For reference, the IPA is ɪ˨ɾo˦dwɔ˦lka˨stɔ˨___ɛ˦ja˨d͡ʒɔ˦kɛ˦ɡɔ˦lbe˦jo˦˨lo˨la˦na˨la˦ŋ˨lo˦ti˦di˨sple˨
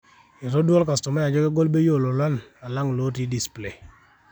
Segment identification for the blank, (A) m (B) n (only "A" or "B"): A